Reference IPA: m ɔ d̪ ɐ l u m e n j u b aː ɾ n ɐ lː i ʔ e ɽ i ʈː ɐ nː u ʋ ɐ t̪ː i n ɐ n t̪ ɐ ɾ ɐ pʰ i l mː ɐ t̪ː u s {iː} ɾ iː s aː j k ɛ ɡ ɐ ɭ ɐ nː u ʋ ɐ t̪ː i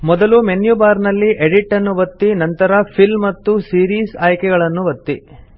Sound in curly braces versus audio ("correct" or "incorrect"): correct